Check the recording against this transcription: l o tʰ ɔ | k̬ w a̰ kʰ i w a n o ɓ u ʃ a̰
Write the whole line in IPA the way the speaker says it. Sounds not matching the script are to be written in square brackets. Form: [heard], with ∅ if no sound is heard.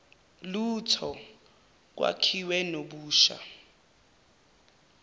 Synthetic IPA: l [u] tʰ ɔ | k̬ w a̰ kʰ i w [ɛ] n o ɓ [uː] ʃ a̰